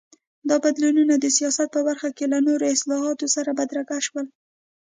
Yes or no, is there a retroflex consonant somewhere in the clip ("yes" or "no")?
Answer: no